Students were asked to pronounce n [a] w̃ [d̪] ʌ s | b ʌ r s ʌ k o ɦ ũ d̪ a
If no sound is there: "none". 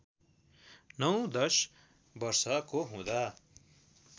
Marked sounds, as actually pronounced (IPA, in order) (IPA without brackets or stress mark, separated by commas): ʌ, d̪